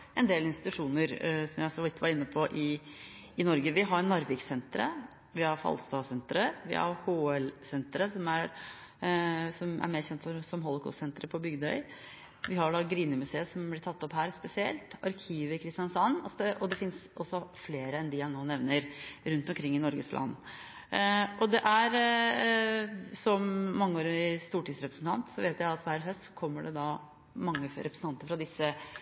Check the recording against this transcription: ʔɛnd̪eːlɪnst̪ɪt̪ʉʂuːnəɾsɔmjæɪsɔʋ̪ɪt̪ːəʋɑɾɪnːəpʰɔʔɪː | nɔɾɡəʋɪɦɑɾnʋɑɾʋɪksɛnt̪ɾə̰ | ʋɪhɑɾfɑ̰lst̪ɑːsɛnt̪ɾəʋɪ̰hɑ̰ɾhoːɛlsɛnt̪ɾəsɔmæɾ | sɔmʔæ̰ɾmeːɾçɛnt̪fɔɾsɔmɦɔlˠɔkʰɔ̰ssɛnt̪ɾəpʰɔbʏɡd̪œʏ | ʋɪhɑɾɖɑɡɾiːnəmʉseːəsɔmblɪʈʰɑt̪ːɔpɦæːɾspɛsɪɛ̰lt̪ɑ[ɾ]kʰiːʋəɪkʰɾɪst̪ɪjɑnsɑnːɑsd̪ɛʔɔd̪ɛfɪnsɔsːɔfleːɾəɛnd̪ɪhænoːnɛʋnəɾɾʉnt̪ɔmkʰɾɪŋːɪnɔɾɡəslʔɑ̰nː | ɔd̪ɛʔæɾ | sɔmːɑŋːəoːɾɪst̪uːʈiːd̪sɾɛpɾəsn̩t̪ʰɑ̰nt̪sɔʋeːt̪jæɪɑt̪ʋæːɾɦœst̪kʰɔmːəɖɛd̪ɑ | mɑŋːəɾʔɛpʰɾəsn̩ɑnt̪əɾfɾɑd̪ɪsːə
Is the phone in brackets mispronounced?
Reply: no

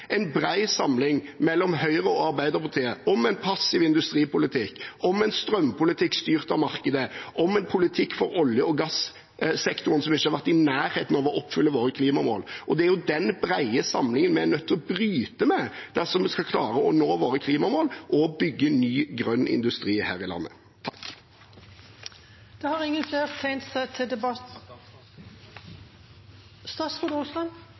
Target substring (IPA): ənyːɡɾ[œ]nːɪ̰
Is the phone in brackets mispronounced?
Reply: no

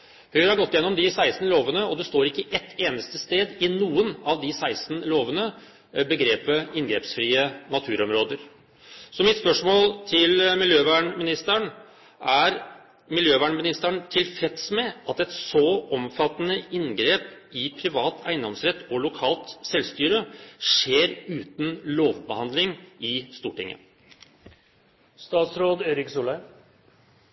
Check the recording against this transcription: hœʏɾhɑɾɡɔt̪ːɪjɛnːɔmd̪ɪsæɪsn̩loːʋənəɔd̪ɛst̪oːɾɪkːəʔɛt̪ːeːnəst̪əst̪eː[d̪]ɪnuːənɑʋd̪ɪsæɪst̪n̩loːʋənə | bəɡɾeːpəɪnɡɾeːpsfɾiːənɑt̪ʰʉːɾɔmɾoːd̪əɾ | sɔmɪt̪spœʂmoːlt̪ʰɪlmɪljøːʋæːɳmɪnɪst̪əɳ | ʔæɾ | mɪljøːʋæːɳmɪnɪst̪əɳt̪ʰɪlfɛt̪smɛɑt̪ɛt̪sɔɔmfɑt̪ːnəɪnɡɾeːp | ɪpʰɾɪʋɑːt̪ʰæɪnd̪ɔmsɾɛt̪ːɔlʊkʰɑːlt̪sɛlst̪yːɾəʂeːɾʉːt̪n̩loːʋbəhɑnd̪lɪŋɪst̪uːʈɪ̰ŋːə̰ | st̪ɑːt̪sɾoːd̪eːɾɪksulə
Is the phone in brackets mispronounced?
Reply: no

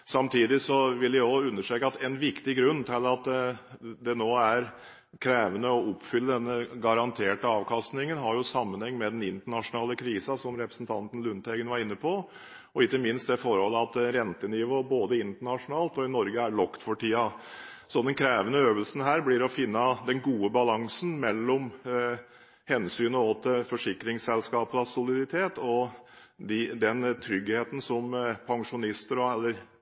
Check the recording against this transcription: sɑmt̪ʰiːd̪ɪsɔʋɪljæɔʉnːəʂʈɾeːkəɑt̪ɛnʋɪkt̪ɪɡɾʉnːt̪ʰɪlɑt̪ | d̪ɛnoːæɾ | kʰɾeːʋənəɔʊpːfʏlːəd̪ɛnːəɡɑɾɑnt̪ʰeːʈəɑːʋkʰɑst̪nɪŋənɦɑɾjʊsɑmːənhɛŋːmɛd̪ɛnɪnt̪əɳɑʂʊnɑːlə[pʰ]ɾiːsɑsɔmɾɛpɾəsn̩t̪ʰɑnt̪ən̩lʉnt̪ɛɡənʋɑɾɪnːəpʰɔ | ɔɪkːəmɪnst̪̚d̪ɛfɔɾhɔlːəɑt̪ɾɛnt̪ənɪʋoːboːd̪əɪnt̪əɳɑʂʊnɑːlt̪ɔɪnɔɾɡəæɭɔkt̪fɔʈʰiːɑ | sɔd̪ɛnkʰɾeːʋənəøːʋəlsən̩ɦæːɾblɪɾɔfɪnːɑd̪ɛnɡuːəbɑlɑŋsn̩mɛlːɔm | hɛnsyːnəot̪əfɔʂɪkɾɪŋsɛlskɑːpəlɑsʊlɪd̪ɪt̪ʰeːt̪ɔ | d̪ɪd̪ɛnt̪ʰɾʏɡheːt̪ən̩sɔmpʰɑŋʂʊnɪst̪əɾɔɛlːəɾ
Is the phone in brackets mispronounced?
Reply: yes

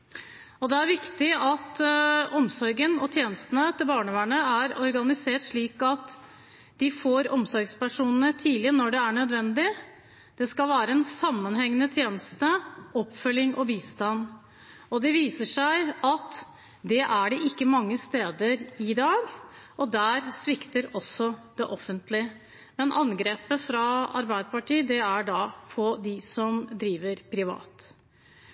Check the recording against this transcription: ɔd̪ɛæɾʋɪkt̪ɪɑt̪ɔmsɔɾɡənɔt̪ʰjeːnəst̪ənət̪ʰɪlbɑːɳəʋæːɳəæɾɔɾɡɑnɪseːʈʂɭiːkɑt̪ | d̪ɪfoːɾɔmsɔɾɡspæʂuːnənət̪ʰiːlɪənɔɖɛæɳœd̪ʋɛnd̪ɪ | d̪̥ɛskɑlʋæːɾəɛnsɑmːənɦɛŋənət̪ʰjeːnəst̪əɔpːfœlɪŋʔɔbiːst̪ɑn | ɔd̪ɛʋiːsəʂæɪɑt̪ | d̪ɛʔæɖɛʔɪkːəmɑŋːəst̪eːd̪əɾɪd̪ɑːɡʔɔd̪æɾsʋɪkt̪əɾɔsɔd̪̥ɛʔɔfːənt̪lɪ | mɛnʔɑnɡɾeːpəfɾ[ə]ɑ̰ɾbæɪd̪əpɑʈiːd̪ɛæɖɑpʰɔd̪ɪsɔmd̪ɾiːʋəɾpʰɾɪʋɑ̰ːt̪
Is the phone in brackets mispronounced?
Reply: yes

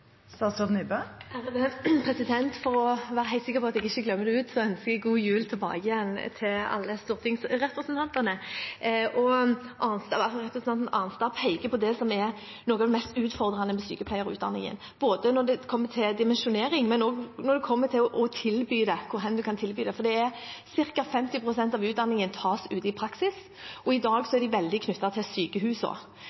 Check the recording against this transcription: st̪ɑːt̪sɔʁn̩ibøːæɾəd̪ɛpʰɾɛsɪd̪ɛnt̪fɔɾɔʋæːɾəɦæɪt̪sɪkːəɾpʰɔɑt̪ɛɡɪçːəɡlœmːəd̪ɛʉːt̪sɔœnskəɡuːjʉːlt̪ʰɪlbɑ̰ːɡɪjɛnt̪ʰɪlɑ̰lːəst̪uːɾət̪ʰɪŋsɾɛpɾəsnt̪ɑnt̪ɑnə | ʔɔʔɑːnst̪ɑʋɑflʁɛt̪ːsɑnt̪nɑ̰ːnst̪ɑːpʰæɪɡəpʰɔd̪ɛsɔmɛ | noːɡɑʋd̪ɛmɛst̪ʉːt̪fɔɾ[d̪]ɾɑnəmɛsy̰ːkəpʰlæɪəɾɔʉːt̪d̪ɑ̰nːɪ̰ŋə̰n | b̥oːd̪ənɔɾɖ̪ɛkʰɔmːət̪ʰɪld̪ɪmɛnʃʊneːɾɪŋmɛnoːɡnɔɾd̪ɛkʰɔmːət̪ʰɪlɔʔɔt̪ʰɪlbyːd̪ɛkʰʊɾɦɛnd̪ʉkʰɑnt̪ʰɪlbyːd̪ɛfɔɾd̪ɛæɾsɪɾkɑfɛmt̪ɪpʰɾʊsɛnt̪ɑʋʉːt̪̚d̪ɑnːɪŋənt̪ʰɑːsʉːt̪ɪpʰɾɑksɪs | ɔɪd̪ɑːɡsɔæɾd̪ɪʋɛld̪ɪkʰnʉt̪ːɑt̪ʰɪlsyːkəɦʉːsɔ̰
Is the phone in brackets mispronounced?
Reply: no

